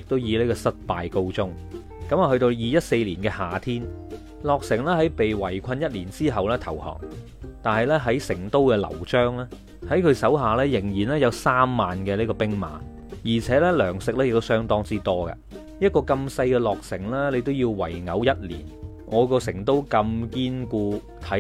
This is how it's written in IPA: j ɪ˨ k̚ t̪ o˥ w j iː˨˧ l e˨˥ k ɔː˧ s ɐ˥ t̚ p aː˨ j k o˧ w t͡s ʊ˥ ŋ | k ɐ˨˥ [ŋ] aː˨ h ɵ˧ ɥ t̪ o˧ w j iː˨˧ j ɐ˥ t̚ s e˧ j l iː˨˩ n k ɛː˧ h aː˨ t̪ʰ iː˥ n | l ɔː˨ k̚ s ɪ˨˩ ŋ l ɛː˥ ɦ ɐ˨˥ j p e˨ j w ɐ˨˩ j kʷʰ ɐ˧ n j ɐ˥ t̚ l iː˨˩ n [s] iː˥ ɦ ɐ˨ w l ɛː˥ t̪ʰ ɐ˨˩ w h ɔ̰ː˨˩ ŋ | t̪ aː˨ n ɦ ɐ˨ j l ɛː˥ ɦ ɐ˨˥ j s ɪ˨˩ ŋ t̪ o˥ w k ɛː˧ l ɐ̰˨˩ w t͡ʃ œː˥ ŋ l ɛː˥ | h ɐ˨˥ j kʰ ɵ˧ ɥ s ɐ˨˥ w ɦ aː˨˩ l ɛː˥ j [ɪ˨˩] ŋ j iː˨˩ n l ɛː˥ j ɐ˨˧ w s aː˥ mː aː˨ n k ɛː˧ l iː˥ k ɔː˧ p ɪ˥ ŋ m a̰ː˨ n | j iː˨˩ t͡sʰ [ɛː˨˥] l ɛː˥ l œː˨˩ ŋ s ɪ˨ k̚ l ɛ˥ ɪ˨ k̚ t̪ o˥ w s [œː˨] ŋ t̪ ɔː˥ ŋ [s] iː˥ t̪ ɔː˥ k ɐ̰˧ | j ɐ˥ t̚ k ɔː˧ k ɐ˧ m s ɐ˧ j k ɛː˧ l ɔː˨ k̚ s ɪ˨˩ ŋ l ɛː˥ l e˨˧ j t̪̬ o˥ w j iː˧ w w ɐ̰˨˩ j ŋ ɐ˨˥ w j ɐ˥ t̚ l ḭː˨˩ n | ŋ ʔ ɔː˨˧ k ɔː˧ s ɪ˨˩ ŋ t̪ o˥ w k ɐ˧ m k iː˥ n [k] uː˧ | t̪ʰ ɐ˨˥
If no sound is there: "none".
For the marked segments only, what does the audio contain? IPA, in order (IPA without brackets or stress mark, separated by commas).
m, t͡s, ɪ˨˩, ɛː˨˥, œː˥, t͡s, k